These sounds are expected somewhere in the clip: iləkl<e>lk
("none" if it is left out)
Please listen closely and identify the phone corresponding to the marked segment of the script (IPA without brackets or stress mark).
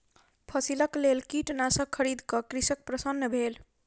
e